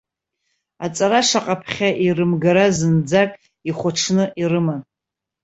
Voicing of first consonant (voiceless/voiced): voiceless